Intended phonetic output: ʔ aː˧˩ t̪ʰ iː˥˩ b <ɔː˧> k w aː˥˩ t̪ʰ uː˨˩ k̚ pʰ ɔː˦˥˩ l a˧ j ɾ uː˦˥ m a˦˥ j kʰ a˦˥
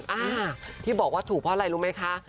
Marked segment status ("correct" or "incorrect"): incorrect